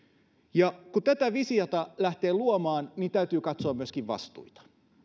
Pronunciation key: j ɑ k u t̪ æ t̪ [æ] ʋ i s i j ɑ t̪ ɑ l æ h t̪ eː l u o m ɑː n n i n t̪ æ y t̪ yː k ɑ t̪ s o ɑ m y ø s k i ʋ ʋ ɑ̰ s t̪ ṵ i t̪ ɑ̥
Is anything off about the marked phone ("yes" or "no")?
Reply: no